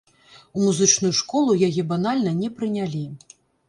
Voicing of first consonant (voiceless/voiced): voiced